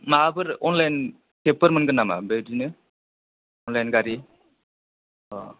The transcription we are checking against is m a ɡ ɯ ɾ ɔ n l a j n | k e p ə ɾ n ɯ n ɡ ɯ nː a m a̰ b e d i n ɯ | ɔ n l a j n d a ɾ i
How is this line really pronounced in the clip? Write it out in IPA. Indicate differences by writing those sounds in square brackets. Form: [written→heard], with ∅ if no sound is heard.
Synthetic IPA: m a [ɡ→b] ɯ ɾ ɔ n l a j n | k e p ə ɾ [n→m] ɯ n ɡ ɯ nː a m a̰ b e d i n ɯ | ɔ n l a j n [d→ɡ] a ɾ i

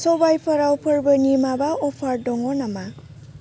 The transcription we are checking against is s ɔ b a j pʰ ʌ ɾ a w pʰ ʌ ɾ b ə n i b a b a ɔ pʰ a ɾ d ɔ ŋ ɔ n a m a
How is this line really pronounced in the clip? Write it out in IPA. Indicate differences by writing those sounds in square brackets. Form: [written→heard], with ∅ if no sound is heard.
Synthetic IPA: s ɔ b a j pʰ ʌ ɾ a w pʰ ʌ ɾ b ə n i [b→m] a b a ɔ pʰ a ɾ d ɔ ŋ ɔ n a m a

